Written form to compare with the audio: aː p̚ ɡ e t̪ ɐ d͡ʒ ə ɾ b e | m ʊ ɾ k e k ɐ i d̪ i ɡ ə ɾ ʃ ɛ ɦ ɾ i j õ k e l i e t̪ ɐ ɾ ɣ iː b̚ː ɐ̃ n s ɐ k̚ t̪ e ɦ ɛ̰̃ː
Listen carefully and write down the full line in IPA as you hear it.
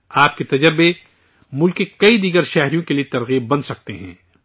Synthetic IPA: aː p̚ k e t̪ ɐ d͡ʒ ə ɾ b e | m ʊ l k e k ɐ i d̪ iː ɡ ə ɾ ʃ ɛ ɦ ɾ i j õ k e l i e t̪ ɐ ɾ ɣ iː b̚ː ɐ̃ n s ɐ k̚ t̪ e ɦ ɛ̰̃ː

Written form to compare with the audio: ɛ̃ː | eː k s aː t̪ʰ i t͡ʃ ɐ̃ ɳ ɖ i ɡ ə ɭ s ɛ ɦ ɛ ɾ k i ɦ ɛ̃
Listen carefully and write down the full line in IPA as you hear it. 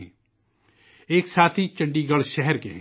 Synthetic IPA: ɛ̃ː | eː k s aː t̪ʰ i t͡ʃ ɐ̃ ɳ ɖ i ɡ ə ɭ ʃ ɛ ɦ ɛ ɾ k e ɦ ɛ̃

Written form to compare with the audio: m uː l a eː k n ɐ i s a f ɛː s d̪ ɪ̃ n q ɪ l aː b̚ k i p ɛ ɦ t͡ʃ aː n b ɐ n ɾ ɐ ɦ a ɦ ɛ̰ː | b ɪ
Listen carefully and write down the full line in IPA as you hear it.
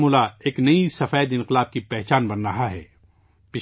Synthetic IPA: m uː l a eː k n ɐ i s ɐ f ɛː d̪ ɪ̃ n q ɪ l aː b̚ k i p ɛ ɦ t͡ʃ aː n b ɐ n ɾ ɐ ɦ a ɦ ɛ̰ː | p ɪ

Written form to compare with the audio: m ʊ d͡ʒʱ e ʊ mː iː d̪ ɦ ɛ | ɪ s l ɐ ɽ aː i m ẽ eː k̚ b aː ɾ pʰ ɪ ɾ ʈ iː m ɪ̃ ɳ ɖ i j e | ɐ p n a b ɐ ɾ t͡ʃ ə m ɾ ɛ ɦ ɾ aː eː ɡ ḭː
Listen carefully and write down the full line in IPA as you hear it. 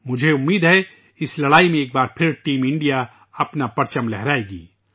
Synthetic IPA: m ʊ d͡ʒʱ e ʊ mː iː d̪ ɦ ɛ | ɪ s l ɐ ɽ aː i m ẽ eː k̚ b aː ɾ pʰ ɪ ɾ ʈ iː m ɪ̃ ɳ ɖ i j a | ɐ p n a p ɐ ɾ t͡ʃ ə m l ɛ ɦ ɾ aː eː ɡ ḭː

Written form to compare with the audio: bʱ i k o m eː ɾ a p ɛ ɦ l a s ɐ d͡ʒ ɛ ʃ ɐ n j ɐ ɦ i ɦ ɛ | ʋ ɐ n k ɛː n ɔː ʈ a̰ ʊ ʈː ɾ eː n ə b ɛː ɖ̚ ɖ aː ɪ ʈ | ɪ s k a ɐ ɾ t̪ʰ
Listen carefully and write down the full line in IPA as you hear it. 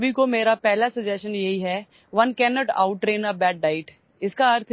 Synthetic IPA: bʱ i k o m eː ɾ a p ɛ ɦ l a s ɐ d͡ʒ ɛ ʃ ə n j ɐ ɦ i ɦ ɛ | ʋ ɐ n k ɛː n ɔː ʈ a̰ ʊ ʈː ɾ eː n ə b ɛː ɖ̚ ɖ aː ɪ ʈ | ɪ s k a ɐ ɾ t̪ʰ

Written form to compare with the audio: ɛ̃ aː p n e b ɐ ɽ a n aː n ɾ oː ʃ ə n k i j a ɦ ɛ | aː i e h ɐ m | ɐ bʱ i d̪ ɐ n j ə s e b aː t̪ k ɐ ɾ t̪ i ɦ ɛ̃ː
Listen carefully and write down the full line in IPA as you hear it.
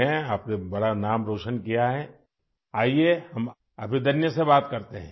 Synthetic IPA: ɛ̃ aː p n e b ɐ ɽ a n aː m ɾ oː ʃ ə n k i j a ɦ ɛ | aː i e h ɐ m | ɐ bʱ i d̪ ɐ n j ə s e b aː t̪ k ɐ ɾ t̪ e ɦ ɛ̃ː

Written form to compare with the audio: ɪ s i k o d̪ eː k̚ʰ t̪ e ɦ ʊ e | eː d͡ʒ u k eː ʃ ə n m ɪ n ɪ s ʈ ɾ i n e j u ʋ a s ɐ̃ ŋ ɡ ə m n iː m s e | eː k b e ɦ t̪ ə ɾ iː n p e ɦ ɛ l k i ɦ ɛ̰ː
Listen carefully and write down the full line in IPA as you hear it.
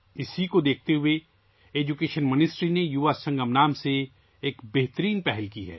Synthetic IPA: ɪ s i k o d̪ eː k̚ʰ t̪ e ɦ ʊ e | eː d͡ʒ u k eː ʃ ə n m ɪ n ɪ s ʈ ɾ i n e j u ʋ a s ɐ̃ ŋ ɡ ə m n aː m s e | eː k b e ɦ t̪ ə ɾ iː n p ɛ ɦ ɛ l k i ɦ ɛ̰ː

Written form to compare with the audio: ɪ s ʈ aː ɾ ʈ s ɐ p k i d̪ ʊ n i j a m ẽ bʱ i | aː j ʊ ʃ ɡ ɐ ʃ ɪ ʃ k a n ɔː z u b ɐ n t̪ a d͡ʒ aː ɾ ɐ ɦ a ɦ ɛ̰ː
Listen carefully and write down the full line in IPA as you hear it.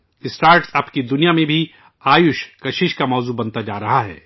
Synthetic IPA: ɪ s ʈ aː ɾ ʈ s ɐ p k i d̪ ʊ n i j a m ẽ bʱ i | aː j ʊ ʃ k ɐ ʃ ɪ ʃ k a m ɔː z u b ɐ n t̪ a d͡ʒ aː ɾ ɐ ɦ a ɦ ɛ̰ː

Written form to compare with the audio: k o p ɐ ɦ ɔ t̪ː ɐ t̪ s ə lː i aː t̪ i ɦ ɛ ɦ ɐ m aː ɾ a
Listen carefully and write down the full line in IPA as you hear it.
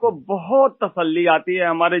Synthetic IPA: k o b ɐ ɦ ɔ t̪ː ɐ s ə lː i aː t̪ i ɦ ɛ ɦ ɐ m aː ɾ e

